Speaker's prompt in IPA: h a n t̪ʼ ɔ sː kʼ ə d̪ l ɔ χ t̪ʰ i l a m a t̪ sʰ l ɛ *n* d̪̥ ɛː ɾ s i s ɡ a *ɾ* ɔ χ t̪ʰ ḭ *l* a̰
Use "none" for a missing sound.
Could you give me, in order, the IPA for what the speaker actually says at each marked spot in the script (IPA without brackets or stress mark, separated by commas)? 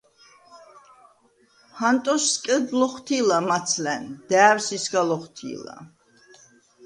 n, l, l